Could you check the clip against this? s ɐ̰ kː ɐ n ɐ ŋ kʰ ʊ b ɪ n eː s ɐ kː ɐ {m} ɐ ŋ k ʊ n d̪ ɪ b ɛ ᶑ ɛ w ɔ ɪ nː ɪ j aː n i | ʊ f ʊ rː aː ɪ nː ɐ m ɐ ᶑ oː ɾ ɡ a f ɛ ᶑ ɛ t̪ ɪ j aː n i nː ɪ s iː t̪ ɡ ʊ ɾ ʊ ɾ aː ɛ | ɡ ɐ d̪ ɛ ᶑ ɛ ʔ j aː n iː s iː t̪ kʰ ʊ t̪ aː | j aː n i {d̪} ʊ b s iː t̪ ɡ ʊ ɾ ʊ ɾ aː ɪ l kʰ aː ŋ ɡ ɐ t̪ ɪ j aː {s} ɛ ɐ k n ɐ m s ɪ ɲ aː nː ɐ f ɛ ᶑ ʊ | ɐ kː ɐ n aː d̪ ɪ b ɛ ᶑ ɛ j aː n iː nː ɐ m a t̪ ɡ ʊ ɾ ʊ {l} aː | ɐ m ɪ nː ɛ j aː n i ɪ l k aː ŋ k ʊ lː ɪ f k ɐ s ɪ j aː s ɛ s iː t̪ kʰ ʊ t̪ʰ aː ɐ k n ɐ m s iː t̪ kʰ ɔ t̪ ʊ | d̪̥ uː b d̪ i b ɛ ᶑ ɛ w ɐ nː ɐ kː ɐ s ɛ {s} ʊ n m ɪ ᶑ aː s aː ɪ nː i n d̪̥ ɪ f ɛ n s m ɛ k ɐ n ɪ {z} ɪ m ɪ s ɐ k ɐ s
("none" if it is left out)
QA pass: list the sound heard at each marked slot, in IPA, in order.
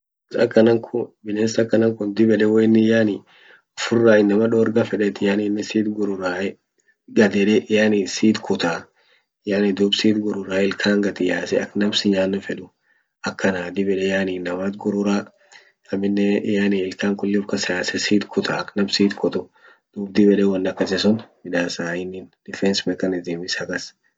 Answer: n, d̪, s, ɾ, s, z

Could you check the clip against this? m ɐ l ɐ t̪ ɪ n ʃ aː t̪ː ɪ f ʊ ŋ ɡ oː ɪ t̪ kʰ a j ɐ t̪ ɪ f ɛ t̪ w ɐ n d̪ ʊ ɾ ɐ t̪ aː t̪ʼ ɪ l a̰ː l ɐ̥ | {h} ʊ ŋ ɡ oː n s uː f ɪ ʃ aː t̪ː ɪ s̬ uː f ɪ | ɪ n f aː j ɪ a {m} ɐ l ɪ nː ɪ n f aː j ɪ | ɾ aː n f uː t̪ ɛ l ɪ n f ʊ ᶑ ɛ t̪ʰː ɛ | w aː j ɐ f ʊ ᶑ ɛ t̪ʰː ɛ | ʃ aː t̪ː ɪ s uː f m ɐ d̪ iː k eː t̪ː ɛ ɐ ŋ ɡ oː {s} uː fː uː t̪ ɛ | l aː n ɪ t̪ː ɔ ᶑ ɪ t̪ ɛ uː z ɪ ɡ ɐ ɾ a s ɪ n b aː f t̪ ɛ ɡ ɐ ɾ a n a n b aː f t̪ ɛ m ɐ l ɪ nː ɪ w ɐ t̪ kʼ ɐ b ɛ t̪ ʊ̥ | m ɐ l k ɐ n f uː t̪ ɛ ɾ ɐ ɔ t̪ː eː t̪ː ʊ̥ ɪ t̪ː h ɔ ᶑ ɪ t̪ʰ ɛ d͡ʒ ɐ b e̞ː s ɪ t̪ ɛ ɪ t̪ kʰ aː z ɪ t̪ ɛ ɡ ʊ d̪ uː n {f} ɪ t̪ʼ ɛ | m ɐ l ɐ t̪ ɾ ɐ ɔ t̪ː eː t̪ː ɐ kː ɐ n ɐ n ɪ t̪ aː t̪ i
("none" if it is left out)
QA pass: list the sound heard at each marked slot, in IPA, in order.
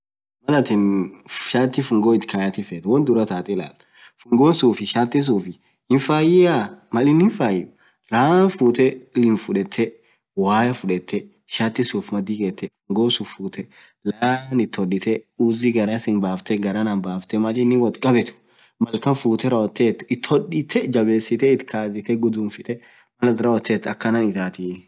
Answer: f, m, s, f

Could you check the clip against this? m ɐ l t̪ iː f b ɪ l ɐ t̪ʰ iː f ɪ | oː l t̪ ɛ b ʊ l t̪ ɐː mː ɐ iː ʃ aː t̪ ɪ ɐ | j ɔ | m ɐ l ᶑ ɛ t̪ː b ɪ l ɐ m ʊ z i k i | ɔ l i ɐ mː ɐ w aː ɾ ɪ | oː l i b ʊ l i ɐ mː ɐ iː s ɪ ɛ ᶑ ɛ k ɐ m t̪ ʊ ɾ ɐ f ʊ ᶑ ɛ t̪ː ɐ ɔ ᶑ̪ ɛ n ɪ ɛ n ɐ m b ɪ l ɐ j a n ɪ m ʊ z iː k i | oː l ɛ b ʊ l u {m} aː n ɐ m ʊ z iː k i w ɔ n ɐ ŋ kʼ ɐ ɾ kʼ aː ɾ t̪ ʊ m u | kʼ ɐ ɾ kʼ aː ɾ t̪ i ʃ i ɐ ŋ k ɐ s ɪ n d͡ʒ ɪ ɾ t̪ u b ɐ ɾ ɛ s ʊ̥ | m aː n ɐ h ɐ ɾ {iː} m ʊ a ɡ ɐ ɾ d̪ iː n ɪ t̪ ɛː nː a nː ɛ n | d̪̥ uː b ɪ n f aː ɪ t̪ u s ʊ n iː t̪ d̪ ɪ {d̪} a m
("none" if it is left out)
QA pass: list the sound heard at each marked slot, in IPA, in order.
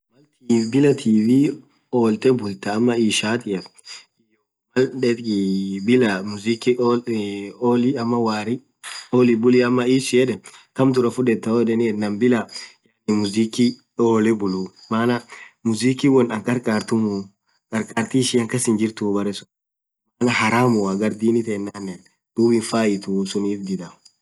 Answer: m, aː, d̪

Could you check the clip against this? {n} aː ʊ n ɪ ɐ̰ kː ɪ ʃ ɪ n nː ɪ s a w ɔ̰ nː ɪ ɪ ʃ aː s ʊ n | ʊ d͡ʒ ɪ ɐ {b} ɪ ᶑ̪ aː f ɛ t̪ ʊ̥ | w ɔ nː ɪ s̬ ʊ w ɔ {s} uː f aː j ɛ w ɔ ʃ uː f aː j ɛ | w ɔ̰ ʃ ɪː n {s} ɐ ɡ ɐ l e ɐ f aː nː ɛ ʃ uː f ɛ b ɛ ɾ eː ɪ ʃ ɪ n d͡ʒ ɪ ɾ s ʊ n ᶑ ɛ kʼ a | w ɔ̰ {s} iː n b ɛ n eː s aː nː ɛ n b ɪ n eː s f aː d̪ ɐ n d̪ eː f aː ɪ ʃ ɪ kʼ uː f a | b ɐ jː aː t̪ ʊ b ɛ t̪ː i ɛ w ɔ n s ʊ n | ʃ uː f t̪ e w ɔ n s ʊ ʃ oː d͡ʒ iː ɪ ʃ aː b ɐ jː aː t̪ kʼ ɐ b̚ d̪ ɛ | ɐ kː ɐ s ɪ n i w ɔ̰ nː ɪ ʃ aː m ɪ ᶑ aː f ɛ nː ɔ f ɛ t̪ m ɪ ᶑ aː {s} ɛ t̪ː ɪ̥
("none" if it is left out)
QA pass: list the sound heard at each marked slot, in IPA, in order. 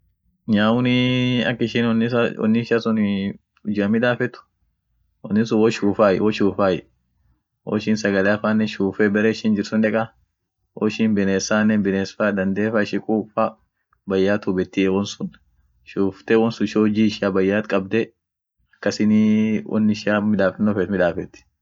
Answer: ɲ, m, ʃ, s, ʃ, f

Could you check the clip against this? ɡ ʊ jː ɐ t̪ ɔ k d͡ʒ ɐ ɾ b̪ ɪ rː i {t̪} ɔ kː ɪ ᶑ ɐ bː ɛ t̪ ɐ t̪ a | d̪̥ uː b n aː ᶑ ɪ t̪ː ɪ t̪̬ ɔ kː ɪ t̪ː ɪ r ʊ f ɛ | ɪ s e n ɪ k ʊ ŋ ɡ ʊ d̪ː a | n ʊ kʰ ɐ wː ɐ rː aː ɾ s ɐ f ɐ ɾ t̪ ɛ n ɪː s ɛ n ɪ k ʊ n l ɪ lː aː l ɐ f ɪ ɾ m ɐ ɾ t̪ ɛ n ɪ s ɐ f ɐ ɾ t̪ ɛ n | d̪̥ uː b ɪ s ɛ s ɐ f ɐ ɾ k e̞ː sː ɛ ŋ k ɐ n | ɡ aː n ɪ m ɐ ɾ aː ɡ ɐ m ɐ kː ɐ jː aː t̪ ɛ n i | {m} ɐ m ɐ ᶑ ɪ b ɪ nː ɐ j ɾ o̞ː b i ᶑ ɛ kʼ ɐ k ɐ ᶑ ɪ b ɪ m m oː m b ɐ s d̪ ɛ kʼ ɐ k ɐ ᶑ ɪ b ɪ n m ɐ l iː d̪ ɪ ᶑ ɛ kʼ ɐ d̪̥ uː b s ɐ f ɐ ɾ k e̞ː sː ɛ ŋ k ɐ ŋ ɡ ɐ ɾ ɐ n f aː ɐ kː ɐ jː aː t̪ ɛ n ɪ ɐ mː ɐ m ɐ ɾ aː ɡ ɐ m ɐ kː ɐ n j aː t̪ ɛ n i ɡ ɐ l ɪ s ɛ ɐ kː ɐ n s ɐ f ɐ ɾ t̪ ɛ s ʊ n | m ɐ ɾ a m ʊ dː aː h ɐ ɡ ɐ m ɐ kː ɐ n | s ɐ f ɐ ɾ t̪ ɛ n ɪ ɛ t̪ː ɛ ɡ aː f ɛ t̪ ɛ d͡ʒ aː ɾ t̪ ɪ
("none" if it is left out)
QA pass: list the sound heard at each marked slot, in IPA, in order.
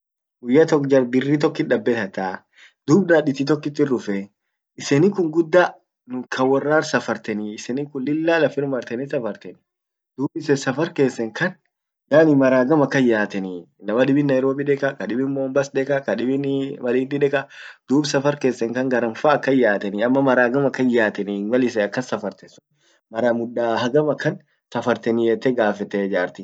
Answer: t̪, n

